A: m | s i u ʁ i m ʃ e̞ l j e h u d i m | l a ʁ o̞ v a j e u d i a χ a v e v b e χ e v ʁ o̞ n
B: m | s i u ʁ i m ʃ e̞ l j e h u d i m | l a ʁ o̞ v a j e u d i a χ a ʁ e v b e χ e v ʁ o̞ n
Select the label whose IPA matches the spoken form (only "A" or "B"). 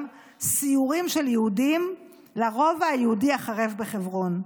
B